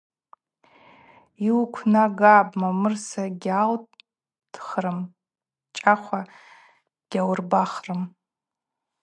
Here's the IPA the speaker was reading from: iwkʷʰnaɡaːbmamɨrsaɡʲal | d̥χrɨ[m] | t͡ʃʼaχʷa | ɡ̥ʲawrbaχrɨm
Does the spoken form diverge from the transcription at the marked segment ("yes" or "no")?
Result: no